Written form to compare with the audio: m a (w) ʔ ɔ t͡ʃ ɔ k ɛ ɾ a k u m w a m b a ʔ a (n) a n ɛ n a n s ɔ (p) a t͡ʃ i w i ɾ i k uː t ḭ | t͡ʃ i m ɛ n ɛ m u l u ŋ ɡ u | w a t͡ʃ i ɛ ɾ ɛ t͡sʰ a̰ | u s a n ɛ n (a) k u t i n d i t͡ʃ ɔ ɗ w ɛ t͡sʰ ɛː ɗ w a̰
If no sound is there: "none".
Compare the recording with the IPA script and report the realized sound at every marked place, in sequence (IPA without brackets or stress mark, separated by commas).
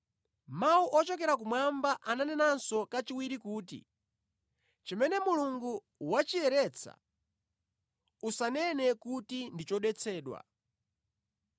u, n, k, ɛ